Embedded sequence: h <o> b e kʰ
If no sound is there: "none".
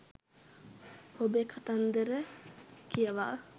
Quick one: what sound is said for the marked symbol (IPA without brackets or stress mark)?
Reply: o